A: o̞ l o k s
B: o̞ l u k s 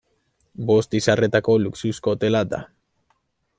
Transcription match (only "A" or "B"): B